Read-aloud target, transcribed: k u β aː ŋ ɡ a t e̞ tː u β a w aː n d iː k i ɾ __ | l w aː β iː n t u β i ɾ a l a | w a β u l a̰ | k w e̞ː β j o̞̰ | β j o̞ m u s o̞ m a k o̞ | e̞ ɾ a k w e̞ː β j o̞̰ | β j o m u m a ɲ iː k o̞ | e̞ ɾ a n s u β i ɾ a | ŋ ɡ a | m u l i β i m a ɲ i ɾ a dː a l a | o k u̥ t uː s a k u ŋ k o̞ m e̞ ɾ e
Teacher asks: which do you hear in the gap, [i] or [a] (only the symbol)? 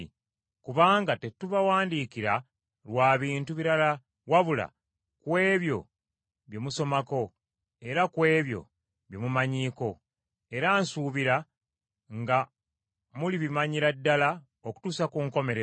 a